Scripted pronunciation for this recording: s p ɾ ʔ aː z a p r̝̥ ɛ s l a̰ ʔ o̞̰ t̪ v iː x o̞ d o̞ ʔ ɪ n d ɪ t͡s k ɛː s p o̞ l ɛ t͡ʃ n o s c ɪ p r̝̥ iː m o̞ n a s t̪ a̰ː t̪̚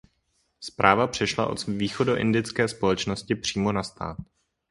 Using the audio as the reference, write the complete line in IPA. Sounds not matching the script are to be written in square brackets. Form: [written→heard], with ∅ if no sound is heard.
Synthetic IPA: s p ɾ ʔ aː [z→v] a p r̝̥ ɛ [s→ʃ] l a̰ ʔ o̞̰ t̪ v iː x o̞ d o̞ ʔ ɪ n d ɪ t͡s k ɛː s p o̞ l ɛ t͡ʃ n o s c ɪ p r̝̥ iː m o̞ n a s t̪ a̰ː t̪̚